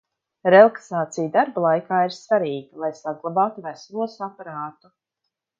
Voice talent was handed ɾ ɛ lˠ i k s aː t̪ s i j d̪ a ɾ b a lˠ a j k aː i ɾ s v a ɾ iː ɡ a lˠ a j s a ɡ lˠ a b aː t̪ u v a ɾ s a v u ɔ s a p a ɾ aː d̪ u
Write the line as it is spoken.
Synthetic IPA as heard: ɾ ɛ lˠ a k s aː t̪ s i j d̪ a ɾ b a lˠ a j k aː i ɾ s v a ɾ iː ɡ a lˠ a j s a ɡ lˠ a b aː t̪ u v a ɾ s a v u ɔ s a p a ɾ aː t̪ u